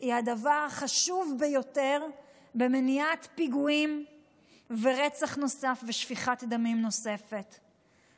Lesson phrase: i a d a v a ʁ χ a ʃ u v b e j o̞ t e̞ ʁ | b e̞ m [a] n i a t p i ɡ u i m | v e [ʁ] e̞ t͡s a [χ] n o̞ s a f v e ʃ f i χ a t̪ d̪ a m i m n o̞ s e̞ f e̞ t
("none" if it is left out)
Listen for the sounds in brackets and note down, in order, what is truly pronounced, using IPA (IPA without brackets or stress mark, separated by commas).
e, ʁ, χ